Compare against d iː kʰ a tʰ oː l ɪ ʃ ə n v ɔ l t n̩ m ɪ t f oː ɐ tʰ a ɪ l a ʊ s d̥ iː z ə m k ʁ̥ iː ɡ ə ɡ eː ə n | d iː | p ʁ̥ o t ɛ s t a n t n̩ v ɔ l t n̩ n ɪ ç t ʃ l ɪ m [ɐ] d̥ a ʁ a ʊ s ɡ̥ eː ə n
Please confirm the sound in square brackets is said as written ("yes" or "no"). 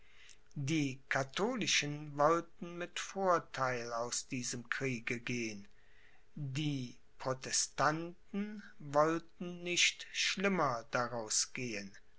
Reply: yes